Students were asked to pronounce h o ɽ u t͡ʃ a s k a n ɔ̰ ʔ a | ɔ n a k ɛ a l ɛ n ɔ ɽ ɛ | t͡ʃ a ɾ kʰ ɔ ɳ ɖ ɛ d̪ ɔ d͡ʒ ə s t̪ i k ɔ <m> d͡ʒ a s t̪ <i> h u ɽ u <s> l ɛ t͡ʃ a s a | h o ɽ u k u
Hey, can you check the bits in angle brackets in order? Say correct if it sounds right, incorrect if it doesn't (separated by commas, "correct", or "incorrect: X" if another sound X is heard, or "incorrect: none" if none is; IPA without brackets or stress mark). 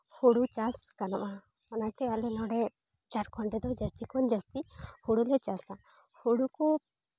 incorrect: n, correct, incorrect: none